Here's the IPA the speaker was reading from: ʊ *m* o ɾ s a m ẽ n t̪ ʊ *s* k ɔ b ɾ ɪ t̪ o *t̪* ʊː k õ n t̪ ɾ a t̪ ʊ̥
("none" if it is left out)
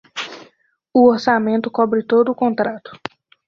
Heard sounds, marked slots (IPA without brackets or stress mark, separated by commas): none, none, d̪